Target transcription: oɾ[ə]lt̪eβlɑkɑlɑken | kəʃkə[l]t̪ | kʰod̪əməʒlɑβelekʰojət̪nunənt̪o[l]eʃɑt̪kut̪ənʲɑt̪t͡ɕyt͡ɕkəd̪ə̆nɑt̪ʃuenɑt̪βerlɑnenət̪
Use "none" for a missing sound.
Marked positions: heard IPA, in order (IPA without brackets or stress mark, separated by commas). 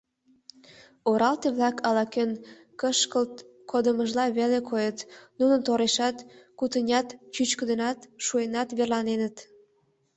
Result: ɑ, l, ɾ